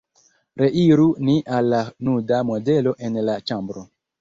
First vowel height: mid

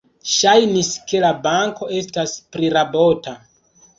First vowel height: low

